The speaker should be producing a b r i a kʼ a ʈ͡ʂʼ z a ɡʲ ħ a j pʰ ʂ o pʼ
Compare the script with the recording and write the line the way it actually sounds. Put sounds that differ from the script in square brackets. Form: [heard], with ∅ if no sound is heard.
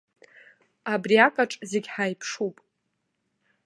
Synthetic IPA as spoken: a b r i a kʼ a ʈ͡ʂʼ z [e] ɡʲ ħ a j pʰ ʂ [u] pʼ